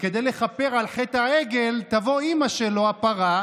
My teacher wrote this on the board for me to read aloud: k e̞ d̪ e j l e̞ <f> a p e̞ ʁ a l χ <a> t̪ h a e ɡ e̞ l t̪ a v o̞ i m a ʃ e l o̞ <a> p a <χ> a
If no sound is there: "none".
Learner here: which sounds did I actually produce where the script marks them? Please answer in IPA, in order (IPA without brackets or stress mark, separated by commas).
χ, e, a, ʁ